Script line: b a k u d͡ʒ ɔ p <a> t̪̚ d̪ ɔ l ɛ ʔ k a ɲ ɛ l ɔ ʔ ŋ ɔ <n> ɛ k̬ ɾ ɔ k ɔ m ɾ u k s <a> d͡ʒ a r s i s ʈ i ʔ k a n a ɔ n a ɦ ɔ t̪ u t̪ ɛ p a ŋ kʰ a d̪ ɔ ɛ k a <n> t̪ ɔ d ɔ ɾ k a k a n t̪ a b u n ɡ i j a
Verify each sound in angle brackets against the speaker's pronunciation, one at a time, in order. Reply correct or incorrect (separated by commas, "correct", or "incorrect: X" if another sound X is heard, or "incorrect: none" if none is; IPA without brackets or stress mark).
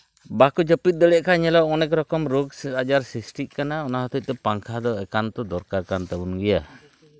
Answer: incorrect: i, correct, correct, correct